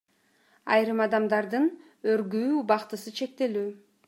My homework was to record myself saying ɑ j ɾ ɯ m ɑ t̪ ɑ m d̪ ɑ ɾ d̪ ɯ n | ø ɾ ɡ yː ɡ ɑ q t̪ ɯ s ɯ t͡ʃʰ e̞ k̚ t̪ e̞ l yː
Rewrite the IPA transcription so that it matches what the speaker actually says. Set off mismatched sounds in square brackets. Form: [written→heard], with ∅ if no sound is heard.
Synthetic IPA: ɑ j ɾ ɯ m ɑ [t̪→d̪] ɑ m d̪ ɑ ɾ d̪ ɯ n | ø ɾ ɡ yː [ɡ→b] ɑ q t̪ ɯ s ɯ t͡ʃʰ e̞ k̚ t̪ e̞ l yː